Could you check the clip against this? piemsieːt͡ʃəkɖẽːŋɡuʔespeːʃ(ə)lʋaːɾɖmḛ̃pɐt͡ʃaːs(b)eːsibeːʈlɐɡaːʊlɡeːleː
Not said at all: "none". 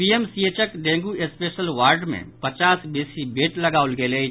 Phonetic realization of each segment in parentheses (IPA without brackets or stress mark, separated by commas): ə, b